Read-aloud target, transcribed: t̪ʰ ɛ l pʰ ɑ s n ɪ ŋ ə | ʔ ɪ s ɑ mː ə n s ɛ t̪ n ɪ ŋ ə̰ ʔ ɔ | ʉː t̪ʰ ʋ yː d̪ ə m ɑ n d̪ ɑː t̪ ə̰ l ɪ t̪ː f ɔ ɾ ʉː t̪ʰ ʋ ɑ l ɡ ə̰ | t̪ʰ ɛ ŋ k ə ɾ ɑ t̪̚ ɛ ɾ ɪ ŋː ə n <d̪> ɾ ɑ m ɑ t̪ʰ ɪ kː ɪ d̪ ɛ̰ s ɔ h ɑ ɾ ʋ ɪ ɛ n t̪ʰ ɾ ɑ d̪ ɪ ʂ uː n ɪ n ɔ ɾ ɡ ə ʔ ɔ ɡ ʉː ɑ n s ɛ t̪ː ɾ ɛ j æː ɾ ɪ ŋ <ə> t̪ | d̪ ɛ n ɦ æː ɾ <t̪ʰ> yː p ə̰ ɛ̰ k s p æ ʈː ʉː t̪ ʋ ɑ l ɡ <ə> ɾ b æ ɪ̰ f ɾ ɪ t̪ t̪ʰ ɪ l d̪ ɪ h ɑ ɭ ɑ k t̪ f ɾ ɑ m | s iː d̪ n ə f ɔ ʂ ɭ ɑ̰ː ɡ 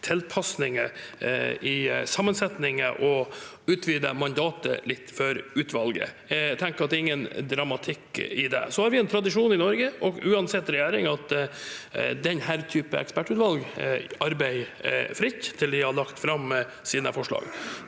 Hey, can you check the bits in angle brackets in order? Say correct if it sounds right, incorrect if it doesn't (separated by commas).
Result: correct, incorrect, correct, incorrect